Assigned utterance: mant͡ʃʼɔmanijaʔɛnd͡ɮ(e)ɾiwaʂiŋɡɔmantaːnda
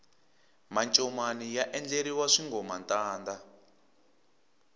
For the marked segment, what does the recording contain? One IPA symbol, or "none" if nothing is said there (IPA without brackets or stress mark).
e